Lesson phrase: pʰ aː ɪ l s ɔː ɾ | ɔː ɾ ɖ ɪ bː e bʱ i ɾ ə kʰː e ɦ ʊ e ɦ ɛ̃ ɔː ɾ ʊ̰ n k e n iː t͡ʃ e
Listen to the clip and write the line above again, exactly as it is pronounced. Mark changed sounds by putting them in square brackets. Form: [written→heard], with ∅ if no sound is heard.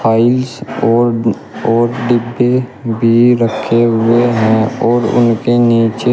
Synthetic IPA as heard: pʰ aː ɪ l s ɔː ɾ | ɔː ɾ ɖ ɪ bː e bʱ i ɾ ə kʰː e ɦ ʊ e ɦ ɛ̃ ɔː ɾ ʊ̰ n k e n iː t͡ʃ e